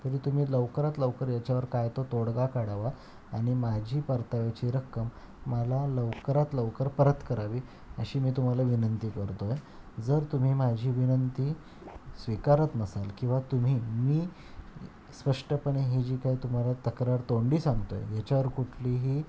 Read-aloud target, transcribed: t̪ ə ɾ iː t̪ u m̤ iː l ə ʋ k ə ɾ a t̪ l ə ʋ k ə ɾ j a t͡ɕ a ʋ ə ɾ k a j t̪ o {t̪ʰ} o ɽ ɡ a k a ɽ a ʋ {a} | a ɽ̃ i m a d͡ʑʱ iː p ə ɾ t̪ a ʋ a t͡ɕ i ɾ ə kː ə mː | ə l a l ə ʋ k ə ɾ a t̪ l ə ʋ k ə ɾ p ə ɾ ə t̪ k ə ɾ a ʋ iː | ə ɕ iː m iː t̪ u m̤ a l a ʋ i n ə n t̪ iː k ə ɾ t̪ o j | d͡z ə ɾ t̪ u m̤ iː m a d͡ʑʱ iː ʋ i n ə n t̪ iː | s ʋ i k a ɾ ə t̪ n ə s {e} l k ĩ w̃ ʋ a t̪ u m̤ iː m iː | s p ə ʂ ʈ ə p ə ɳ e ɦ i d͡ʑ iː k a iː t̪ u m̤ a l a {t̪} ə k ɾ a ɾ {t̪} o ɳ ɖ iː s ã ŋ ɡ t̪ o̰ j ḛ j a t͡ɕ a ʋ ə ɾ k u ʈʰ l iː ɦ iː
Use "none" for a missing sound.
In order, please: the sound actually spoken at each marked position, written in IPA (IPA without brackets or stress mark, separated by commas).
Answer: t̪, a, a, t̪, t̪